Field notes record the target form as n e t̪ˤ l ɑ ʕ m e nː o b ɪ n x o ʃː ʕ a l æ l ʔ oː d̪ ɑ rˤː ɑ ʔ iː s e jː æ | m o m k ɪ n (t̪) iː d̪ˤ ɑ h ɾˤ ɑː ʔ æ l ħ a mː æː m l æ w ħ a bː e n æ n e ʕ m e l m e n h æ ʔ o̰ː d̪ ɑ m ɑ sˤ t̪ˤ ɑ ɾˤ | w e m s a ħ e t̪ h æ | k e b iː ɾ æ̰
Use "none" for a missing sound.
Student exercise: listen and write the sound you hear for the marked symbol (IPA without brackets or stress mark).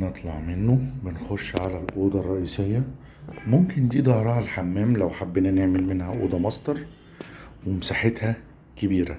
d̪